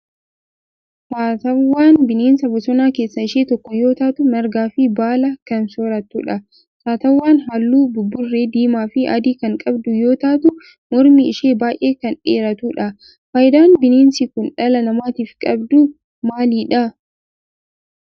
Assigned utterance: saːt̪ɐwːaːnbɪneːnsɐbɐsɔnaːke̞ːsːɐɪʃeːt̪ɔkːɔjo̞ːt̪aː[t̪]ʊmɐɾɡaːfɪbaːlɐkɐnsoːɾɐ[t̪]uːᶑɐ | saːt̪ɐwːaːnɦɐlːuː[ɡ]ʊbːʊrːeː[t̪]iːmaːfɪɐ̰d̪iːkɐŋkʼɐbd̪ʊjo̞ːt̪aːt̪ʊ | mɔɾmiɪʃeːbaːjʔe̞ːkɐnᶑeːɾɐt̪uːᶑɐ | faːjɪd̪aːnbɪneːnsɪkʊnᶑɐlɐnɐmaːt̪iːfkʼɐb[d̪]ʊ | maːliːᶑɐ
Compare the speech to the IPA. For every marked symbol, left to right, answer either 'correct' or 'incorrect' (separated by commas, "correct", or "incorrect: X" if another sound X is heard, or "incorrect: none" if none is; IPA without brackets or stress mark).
correct, correct, incorrect: b, incorrect: d̪, correct